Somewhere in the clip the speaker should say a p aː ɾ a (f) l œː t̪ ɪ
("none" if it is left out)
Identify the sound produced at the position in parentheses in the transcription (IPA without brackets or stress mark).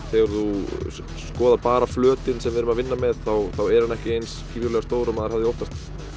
f